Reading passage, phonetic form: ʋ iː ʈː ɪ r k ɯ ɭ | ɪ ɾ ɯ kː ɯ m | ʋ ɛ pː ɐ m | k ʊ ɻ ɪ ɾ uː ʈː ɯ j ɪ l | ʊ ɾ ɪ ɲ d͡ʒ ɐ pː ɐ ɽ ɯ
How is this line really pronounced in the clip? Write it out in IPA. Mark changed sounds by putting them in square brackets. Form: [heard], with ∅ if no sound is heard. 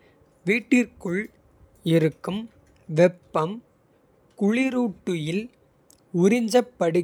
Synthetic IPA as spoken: ʋ iː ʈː ɪ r k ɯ ɭ | ɪ ɾ ɯ kː ɯ m | ʋ ɛ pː ɐ m | k ʊ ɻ ɪ ɾ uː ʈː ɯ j ɪ l | ʊ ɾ ɪ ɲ d͡ʒ ɐ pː ɐ ɽ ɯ